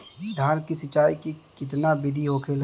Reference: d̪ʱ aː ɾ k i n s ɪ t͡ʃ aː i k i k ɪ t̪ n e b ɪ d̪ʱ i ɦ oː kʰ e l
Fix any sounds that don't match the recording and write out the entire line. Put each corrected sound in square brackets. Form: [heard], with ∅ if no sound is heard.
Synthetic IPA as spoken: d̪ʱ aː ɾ k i [∅] s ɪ t͡ʃ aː i k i k ɪ t̪ n [a] b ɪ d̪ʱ i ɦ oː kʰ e l